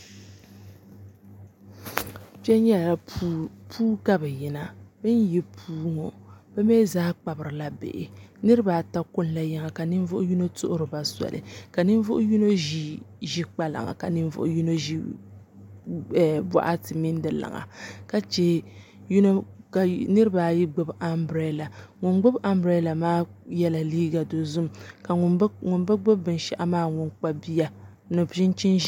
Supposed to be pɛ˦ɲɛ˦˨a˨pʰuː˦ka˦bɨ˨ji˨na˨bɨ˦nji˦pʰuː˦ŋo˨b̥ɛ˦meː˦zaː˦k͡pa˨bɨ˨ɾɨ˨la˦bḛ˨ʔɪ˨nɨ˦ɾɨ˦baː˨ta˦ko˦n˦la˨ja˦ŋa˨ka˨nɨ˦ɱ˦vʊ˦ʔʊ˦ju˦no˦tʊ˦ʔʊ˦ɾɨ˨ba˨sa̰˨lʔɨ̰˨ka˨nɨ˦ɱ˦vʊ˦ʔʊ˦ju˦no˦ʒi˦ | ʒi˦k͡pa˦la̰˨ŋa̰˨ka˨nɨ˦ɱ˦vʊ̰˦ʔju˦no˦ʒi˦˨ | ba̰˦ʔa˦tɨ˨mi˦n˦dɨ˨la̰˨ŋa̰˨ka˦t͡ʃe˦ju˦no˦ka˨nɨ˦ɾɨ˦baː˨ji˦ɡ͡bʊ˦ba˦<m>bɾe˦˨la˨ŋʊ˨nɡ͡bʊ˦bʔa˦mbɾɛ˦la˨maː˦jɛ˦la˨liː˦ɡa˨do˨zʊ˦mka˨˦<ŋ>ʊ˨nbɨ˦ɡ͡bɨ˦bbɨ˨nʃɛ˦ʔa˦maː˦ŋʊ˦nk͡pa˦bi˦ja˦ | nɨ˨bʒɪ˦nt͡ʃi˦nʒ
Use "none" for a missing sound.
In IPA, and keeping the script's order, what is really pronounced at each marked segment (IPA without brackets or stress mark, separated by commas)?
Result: m, ŋ